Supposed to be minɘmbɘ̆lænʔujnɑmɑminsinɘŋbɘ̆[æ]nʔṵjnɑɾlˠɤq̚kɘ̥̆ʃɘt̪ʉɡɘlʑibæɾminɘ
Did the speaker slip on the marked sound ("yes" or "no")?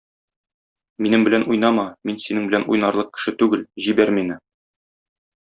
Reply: no